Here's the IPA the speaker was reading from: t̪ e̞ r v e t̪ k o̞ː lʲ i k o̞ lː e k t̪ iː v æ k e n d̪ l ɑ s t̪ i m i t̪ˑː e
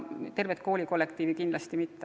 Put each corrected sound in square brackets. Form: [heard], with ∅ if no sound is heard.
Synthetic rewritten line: t̪ e̞ r v e t̪ k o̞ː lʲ i k o̞ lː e k t̪ iː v [i] k [i] n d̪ l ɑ s t̪ i m i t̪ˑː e

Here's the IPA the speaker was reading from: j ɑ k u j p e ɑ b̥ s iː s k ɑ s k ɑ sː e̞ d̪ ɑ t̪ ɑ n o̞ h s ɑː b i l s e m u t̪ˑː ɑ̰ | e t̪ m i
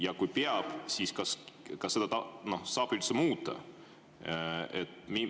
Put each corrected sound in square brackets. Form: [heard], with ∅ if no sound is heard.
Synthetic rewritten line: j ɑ k u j p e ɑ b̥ s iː s k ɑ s k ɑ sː e̞ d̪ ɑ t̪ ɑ n o̞ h s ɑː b i l s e m [uː] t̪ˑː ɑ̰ | e t̪ m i

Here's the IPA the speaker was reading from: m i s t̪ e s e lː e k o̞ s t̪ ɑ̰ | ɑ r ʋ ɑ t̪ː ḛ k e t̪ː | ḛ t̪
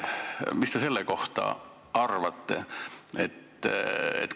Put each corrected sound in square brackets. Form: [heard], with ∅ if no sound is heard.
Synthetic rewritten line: m i s t̪ e s e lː e k o̞ [h] t̪ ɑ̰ | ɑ r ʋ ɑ t̪ː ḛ [∅] e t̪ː | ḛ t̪

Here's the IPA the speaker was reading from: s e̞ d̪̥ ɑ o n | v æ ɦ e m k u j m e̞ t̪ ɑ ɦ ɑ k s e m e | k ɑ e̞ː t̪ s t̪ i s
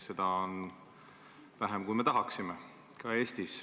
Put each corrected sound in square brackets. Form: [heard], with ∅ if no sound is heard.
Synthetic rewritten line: s e̞ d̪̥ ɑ o n | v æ ɦ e m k u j m e̞ t̪ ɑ ɦ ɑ k s [i] m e | k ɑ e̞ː [∅] s t̪ i s

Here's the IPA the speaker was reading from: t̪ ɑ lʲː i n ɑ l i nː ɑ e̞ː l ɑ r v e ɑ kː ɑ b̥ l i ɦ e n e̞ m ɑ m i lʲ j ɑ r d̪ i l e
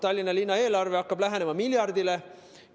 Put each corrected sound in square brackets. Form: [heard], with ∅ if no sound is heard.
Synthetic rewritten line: t̪ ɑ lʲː i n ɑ l i nː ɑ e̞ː l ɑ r v e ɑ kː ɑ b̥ l [æ] ɦ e n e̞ m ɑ m i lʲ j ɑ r d̪ i l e

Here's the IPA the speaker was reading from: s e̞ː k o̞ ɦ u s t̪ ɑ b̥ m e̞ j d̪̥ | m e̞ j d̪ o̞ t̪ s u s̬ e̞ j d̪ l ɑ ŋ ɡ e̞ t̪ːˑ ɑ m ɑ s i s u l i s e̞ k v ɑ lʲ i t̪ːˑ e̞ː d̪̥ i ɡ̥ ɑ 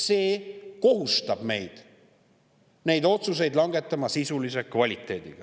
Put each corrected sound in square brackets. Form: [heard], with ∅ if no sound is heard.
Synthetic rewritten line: s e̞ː k o̞ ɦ u s t̪ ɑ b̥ m e̞ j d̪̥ | [n] e̞ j d̪ o̞ t̪ s u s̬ e̞ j d̪ l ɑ ŋ ɡ e̞ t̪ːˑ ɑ m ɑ s i s u l i s e̞ k v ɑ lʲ i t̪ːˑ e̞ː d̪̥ i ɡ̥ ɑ

